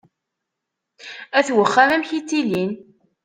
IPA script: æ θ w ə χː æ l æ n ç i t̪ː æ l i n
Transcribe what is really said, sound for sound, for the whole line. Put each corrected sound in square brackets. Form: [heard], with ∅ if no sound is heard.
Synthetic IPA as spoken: æ θ w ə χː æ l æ [m] ç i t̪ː [i] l i n